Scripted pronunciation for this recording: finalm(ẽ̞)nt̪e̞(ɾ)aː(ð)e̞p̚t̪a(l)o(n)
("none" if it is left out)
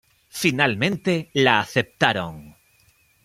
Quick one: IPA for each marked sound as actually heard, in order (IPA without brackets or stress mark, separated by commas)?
ẽ̞, l, θ, ɾ, ŋ